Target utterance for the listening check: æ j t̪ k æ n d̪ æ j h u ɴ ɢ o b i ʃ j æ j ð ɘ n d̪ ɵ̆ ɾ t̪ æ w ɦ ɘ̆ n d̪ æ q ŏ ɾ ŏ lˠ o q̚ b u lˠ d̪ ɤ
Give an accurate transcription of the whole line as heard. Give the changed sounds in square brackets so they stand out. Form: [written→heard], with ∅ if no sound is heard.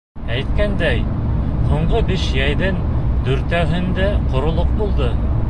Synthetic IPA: æ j t̪ k æ n d̪ æ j h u ɴ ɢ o b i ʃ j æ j ð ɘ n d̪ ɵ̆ ɾ t̪ æ w ɦ ɘ̆ n d̪ æ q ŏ ɾ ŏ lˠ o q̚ b u lˠ d̪ ɤ